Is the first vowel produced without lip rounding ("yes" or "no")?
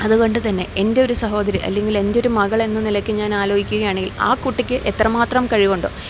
yes